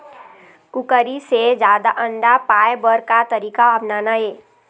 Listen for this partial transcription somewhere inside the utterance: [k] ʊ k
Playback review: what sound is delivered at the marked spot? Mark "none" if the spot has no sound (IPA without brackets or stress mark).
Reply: k